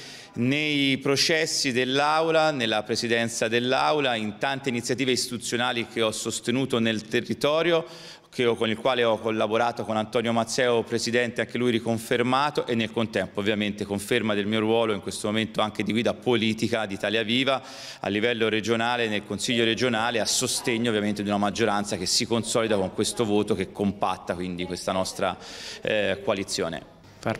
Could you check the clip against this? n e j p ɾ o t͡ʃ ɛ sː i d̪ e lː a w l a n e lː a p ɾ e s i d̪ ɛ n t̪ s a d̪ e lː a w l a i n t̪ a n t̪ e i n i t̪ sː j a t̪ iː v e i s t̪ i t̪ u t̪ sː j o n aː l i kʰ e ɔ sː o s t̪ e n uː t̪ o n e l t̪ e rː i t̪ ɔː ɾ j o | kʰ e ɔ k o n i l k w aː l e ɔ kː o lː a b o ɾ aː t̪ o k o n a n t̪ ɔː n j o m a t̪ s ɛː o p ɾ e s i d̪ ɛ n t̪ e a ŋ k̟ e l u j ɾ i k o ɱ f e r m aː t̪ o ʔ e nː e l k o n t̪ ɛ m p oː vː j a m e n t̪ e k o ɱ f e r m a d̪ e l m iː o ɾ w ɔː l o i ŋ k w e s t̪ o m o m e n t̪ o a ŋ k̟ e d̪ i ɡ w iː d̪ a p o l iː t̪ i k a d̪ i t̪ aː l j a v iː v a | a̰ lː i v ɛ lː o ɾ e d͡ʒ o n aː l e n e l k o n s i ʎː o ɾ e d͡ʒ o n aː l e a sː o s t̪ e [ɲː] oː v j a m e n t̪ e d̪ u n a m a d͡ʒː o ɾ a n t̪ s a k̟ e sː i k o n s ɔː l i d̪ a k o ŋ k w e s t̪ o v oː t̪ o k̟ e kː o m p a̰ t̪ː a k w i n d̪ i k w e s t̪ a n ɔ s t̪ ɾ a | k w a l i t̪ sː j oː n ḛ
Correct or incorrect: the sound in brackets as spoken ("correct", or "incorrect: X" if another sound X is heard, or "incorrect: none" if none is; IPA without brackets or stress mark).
correct